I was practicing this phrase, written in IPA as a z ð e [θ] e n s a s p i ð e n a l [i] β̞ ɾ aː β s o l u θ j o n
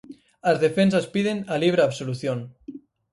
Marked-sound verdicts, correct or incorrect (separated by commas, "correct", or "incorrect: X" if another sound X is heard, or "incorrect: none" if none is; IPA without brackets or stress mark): incorrect: f, correct